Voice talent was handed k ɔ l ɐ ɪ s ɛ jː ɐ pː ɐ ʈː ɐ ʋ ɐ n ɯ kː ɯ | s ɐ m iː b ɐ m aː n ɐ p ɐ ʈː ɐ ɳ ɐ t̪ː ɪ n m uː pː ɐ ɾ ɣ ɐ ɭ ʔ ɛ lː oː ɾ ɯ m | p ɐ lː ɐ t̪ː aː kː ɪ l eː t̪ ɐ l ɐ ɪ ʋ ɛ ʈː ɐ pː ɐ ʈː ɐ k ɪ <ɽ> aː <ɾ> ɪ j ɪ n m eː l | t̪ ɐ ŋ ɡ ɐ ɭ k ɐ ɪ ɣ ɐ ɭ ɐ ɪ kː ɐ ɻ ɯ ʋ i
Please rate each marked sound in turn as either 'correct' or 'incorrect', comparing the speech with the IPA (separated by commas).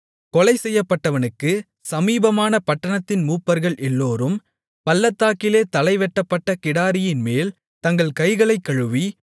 correct, correct